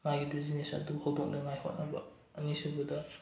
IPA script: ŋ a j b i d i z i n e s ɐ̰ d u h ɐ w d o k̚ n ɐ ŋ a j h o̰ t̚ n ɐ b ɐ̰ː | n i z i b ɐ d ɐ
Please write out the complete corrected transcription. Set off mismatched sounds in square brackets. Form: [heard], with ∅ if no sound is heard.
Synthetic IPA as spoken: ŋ a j [ɡ] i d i z i n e s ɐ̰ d u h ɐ w d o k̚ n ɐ ŋ a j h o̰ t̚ n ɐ b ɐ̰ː | n i [s] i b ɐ d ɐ

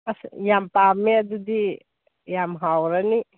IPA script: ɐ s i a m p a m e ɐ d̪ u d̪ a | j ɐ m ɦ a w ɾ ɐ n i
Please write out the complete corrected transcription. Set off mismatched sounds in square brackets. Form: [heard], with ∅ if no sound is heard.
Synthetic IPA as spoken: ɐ s [j] a m p a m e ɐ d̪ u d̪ [i] | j [a] m ɦ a w ɾ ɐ n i

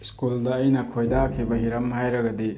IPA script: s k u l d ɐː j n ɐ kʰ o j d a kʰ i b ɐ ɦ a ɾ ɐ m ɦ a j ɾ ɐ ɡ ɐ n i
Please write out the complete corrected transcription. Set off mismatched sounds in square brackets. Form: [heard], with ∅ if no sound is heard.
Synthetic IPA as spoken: s k u l d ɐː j n ɐ kʰ o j d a kʰ i b ɐ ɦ [i] ɾ ɐ m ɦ a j ɾ ɐ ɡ ɐ [d] i

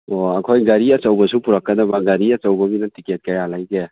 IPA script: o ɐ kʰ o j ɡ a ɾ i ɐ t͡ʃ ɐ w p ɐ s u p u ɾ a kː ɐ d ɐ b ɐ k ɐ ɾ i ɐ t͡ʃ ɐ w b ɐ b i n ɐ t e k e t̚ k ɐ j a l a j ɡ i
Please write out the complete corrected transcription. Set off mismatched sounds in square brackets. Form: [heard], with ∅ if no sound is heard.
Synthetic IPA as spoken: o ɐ kʰ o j ɡ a ɾ i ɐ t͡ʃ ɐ w [b] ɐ s u p u ɾ a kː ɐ d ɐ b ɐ [ɡ] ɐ ɾ i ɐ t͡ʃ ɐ w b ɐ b i n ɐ t [i] k e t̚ k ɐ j a l a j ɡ [e]

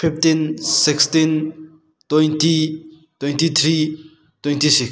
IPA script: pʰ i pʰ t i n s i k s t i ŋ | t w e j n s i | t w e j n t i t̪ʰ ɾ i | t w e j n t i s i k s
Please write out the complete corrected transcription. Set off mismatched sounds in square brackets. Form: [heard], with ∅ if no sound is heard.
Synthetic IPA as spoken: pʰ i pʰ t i n s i k s t i [n] | t w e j n [t] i | t w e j n t i t̪ʰ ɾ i | t w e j n t i s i k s

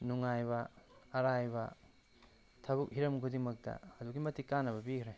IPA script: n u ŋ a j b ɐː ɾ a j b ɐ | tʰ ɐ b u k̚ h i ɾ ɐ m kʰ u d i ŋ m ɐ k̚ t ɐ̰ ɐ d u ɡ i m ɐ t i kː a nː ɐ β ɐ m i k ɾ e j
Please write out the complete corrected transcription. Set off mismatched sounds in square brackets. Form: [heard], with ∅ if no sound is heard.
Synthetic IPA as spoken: n u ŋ a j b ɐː ɾ a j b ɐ | tʰ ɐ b u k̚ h i ɾ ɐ m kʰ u d i ŋ m ɐ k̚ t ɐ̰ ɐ d u ɡ i m ɐ t i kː a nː ɐ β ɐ [b] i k ɾ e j

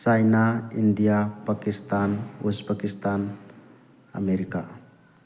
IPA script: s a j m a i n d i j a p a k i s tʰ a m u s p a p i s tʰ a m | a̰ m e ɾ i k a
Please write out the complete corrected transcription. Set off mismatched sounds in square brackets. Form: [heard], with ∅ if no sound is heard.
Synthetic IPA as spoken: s a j [n] a i n d i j a p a k i s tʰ a [n] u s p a [k] i s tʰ a [n] | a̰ m e ɾ i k a

